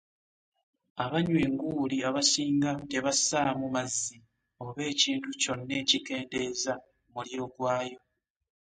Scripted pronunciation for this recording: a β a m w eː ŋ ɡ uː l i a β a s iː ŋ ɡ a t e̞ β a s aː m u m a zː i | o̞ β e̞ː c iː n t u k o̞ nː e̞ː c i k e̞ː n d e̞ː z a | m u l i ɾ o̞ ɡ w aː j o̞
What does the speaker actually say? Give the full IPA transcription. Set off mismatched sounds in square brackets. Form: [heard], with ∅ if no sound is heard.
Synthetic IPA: a β a [ɲ] w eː ŋ ɡ uː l i a β a s iː ŋ ɡ a t e̞ β a s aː m u m a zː i | o̞ β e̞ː c iː n t u [c] o̞ nː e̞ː c i k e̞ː n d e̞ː z a | m u l i ɾ o̞ ɡ w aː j o̞